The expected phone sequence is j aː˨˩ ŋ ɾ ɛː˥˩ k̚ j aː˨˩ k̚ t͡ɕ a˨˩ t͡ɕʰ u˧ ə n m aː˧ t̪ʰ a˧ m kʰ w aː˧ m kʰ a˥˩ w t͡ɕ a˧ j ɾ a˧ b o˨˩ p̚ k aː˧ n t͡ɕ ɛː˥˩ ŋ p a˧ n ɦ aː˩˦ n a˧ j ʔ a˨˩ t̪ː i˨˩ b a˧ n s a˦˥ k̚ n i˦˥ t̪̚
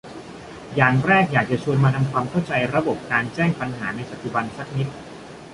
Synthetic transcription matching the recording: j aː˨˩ ŋ ɾ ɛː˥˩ k̚ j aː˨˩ k̚ t͡ɕ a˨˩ t͡ɕʰ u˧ ə n m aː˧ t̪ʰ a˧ m kʰ w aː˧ m kʰ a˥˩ w t͡ɕ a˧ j ɾ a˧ b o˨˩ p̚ k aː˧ n t͡ɕ ɛː˥˩ ŋ p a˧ n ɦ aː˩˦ n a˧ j p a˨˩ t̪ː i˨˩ b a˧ n s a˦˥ k̚ n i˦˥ t̪̚